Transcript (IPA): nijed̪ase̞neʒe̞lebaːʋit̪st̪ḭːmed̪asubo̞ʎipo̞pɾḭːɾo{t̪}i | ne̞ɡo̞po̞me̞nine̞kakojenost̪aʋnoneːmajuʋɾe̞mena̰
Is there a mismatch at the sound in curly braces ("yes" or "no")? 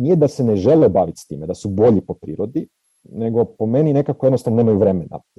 yes